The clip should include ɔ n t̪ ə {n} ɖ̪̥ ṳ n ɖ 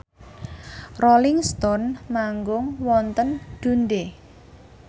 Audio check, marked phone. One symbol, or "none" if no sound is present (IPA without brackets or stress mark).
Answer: n